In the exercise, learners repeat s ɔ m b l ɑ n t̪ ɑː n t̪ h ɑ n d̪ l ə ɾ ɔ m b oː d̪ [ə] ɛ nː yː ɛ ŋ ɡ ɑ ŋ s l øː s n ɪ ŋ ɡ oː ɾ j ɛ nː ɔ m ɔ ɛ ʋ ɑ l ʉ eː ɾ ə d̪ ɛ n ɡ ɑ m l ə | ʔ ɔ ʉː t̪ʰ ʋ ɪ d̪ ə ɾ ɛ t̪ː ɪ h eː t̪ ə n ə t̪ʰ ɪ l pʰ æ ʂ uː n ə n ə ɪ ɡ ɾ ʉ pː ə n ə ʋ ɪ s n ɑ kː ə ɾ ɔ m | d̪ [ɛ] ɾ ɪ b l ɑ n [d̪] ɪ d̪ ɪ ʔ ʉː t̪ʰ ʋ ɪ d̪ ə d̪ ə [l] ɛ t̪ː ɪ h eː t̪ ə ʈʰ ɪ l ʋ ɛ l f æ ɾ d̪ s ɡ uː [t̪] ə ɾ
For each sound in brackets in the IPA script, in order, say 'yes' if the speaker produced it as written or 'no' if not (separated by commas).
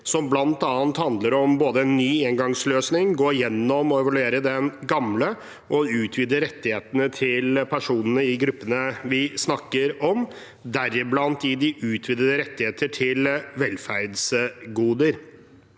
yes, no, no, no, no